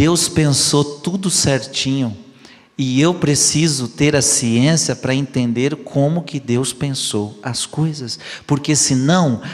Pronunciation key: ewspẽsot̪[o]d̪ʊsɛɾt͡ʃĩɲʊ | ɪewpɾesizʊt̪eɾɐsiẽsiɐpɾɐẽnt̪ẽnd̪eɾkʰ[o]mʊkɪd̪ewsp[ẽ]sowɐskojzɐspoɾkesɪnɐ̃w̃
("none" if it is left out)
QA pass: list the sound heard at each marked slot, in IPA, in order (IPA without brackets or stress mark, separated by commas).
u, õ, ẽ